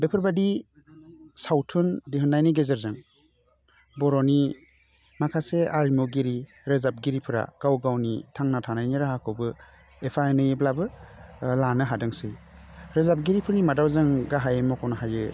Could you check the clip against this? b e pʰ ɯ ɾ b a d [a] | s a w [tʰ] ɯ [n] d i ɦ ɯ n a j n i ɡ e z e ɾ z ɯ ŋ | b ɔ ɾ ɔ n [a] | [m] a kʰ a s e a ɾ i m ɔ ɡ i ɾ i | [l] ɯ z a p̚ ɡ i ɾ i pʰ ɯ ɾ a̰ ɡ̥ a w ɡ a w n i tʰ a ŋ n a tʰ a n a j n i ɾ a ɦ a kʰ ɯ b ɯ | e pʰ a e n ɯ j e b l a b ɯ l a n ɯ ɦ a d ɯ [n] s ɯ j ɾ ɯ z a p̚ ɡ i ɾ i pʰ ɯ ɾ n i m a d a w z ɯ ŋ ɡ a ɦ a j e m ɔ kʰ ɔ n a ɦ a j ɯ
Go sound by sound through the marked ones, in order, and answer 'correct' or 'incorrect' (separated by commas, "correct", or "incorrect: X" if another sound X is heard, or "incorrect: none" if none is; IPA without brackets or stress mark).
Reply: incorrect: i, correct, correct, incorrect: i, correct, incorrect: ɾ, incorrect: ŋ